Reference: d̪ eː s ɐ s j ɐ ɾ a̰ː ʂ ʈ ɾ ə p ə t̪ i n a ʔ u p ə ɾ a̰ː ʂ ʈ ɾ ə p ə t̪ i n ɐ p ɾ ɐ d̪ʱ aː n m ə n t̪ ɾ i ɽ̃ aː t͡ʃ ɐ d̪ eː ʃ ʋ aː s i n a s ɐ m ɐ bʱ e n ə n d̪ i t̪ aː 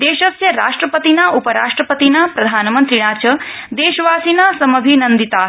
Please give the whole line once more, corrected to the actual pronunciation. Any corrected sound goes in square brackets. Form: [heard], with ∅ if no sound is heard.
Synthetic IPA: d̪ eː [ʃ] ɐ s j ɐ ɾ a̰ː ʂ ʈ ɾ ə p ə t̪ i n a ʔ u p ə ɾ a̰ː ʂ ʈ ɾ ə p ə t̪ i n [a] p ɾ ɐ d̪ʱ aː n m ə n t̪ ɾ i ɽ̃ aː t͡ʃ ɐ d̪ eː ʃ ʋ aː s i n a s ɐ m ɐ bʱ [i] n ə n d̪ i t̪ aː